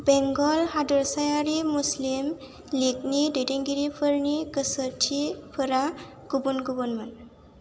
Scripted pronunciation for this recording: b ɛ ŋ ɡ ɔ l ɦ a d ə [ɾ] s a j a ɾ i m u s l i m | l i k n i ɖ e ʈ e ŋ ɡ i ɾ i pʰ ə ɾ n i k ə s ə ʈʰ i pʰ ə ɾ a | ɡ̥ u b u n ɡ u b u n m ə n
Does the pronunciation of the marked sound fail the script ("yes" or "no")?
no